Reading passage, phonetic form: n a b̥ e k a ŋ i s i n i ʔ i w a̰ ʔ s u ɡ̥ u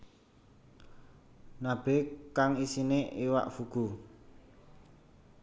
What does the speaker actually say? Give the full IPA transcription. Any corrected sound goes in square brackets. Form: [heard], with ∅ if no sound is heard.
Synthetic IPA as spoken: n a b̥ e k a ŋ i s i n [e] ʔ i w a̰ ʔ [f] u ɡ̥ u